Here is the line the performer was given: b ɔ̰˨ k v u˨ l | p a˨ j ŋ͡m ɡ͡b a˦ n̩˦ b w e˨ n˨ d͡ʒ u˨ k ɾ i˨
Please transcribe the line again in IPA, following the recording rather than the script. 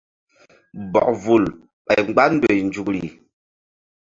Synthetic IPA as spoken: b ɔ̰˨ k v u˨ l | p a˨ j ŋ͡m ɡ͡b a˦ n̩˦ d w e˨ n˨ d͡ʒ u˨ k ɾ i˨